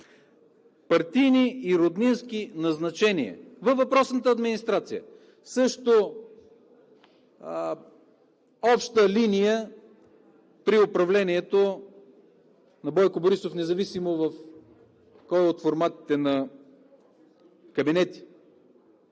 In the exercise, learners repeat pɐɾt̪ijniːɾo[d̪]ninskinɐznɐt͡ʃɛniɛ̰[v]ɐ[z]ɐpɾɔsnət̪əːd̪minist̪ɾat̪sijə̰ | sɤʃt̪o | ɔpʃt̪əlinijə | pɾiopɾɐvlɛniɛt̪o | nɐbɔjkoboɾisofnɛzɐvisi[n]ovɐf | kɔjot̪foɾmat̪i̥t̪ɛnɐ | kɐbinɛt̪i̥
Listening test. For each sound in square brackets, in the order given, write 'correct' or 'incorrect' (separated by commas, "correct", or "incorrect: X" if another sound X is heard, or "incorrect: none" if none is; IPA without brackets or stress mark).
correct, correct, incorrect: v, incorrect: m